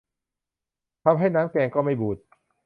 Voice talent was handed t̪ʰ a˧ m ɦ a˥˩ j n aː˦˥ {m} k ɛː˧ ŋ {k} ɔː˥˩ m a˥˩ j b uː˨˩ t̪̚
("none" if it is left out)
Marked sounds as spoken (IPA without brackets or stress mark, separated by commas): m, k